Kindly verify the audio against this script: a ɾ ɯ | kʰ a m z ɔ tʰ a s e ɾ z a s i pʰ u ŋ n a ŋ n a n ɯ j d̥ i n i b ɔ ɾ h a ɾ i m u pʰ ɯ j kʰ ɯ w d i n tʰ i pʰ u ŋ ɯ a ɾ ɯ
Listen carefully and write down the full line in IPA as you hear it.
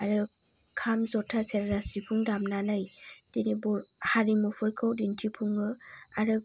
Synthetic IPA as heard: a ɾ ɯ | kʰ a m z ɔ tʰ a s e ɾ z a s i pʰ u ŋ d a m n a n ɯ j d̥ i n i b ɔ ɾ h a ɾ i m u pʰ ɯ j kʰ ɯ w d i n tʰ i pʰ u ŋ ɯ a ɾ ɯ